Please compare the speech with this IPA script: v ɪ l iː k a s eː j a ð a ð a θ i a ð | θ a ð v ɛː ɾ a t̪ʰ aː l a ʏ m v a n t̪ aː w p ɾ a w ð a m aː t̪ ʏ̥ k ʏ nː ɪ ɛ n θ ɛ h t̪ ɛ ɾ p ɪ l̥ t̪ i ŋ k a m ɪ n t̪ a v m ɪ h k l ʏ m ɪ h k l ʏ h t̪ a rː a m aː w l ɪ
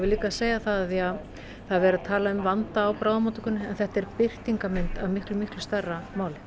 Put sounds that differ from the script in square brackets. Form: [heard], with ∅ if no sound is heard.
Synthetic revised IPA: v ɪ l iː k a s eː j a [θ] a ð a θ i a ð | θ a ð v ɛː ɾ a t̪ʰ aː l a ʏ m v a n t̪ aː w p ɾ a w ð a m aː t̪ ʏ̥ k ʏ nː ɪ ɛ n θ ɛ h t̪ ɛ ɾ p ɪ [r̥] t̪ i ŋ k a m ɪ n t̪ a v m ɪ h k l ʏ m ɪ h k l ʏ [s] t̪ a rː a m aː w l ɪ